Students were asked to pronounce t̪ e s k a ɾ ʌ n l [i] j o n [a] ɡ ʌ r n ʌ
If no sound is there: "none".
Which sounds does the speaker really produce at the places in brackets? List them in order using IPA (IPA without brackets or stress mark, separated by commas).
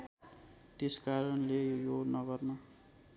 e, ʌ